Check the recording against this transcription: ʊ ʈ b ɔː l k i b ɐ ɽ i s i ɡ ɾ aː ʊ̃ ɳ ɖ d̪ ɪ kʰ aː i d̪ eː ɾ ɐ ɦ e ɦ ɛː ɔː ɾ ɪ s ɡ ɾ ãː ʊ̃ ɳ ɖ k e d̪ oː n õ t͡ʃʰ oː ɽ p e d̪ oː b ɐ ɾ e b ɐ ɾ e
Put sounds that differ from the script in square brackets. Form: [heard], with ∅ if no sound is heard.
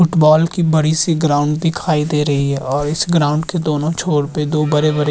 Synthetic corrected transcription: ʊ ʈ b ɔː l k i b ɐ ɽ i s i ɡ ɾ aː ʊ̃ ɳ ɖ d̪ ɪ kʰ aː i d̪ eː ɾ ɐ ɦ [i] ɦ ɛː ɔː ɾ ɪ s ɡ ɾ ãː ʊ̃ ɳ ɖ k e d̪ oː n õ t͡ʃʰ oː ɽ p e d̪ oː b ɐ ɾ e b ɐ ɾ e